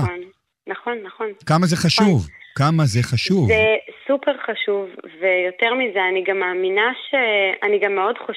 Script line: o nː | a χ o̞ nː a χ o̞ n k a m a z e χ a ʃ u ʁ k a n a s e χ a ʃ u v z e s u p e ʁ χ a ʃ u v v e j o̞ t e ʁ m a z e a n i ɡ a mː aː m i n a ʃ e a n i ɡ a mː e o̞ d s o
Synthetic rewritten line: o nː | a χ o̞ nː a χ o̞ n k a m a z e χ a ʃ u v k a m a z e χ a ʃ u v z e s u p e ʁ χ a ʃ u v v e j o̞ t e ʁ m i z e a n i ɡ a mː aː m i n a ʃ e a n i ɡ a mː e o̞ d χ o